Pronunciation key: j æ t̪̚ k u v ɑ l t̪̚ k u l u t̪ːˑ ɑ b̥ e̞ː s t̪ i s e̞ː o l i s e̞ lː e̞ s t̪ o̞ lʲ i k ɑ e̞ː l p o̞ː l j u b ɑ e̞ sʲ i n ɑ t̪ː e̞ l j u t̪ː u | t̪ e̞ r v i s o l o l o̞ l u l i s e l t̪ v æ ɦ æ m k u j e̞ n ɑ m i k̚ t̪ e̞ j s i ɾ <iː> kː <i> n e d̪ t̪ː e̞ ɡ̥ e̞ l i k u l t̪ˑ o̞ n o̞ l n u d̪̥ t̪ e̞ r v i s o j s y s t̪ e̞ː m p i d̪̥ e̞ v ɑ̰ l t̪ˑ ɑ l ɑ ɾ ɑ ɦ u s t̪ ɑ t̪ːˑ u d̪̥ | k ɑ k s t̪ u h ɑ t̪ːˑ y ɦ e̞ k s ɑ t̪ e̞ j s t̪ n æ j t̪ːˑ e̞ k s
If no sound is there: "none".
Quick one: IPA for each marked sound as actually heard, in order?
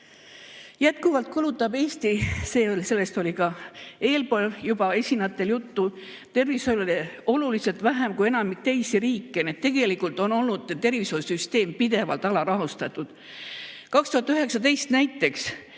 iː, e

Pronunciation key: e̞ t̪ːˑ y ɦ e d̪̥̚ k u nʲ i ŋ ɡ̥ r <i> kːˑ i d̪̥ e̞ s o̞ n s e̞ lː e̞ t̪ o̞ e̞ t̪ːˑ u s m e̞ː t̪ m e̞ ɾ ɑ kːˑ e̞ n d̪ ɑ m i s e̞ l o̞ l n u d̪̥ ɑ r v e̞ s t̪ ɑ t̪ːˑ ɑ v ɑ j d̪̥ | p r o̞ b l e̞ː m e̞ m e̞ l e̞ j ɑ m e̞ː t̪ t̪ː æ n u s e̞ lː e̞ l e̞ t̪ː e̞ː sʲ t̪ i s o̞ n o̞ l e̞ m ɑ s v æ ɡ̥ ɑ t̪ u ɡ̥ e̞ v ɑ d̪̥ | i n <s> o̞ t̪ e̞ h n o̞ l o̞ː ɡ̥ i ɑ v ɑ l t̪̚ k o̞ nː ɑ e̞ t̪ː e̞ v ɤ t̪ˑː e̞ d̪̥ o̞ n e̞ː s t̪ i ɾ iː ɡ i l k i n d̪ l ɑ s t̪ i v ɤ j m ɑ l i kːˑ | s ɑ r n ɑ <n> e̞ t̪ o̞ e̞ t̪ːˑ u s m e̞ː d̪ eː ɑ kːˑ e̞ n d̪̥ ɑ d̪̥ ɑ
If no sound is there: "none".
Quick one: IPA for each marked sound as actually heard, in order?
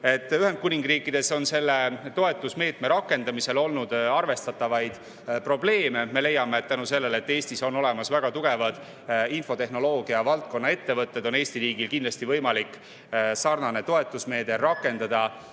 iː, f, n

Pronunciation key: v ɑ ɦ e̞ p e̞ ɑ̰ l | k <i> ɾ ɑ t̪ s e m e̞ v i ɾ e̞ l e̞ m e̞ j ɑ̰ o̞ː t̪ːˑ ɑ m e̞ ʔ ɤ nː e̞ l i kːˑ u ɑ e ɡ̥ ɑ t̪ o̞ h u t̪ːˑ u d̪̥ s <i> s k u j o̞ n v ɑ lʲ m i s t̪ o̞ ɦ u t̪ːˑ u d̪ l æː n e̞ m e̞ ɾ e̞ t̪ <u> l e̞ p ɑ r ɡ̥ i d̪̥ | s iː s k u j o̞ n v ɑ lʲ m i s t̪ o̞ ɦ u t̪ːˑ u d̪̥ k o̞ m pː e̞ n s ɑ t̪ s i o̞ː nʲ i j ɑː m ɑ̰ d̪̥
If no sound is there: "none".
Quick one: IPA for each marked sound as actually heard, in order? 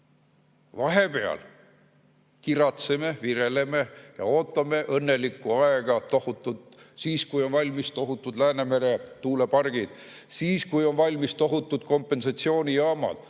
i, iː, uː

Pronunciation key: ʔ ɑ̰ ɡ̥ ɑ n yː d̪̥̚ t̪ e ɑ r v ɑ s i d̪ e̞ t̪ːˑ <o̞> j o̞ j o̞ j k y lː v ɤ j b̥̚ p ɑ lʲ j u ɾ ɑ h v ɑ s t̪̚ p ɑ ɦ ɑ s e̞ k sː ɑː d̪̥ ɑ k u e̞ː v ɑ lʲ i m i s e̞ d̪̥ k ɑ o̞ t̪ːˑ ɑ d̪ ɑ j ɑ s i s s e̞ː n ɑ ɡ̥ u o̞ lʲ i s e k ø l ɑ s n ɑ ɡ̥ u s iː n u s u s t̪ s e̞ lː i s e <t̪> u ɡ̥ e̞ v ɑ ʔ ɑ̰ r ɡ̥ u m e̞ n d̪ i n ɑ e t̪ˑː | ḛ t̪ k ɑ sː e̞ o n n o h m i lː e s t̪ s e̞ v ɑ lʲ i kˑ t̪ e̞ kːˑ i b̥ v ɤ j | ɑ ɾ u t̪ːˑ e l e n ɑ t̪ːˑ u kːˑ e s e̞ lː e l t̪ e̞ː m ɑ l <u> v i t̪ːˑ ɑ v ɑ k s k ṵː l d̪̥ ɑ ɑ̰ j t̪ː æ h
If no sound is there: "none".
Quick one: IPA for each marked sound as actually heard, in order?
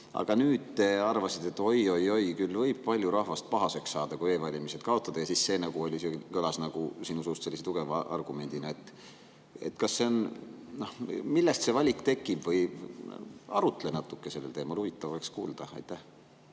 o̞, t̪, u

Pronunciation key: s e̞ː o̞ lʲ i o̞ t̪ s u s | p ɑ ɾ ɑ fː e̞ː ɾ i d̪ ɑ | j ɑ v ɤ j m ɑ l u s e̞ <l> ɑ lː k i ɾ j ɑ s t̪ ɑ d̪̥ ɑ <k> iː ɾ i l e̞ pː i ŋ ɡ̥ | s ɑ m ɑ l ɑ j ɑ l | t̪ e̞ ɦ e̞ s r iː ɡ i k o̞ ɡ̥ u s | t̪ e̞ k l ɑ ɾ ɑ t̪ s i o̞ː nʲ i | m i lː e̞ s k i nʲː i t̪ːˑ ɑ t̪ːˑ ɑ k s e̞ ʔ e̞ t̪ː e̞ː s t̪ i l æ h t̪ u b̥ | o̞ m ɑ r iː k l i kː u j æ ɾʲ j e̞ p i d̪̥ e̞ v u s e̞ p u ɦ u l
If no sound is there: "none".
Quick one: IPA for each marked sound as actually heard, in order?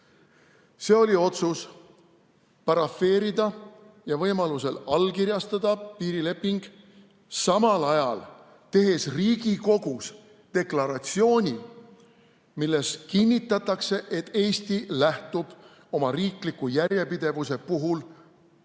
l, p

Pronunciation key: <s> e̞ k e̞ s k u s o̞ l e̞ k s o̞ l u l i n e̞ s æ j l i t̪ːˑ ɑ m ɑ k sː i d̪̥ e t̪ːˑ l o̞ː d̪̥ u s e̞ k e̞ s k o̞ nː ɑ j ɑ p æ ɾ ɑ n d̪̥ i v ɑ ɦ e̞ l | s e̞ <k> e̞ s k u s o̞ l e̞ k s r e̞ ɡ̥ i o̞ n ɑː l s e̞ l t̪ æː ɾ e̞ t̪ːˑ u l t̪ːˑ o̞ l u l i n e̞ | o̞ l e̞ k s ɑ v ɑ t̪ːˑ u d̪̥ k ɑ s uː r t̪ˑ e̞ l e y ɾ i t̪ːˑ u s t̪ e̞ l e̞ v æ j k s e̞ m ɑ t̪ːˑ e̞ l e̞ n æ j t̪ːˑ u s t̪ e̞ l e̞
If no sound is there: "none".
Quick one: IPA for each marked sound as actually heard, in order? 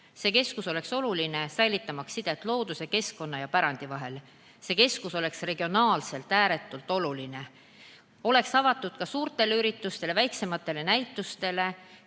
s, k

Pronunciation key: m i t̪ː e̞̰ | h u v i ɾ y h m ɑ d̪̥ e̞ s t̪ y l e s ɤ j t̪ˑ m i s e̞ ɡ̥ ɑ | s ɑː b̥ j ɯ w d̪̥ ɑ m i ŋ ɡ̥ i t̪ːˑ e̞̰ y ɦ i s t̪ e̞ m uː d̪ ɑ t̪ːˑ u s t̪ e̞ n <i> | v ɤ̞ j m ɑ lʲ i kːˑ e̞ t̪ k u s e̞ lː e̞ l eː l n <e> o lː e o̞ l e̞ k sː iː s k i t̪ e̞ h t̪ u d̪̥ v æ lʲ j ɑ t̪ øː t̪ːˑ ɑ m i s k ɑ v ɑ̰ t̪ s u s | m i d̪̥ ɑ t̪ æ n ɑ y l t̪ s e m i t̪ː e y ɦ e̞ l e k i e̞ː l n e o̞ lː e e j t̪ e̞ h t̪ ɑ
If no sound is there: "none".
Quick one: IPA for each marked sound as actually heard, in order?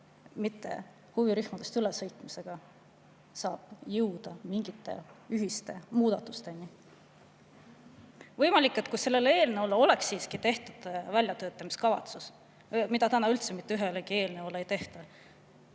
i, e

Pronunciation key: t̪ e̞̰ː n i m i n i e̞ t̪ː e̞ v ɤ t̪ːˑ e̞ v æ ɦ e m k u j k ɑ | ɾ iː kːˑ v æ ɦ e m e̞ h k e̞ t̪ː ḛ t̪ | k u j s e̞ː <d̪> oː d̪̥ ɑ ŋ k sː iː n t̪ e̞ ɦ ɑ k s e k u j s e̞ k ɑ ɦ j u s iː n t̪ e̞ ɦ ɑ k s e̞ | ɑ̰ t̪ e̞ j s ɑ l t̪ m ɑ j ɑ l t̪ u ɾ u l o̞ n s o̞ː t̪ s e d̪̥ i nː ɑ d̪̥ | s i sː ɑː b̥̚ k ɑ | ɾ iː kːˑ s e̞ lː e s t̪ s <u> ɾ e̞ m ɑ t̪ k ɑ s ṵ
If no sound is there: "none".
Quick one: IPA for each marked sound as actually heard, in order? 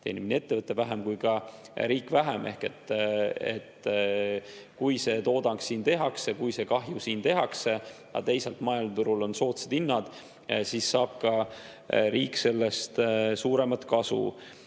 t̪, uː

